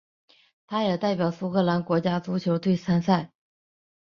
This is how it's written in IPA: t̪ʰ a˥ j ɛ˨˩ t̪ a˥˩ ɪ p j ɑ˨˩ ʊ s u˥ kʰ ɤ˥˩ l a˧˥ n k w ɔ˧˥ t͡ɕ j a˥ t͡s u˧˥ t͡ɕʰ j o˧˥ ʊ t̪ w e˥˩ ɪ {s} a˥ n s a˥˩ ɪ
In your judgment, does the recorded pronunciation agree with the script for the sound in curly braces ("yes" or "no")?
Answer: yes